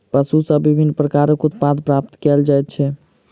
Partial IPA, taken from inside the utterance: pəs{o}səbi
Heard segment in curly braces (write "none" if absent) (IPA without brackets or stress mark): u